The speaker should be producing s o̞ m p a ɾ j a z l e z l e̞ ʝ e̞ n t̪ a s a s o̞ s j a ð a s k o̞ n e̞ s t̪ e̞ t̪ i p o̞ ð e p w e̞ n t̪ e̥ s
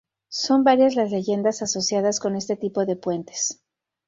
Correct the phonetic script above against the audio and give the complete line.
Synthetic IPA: s o̞ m b a ɾ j a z l a z l e̞ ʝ e̞ n d̪ a s a s o̞ s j a ð a s k o̞ n e̞ s t̪ e̞ t̪ i p o̞ ð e p w e̞ n t̪ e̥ s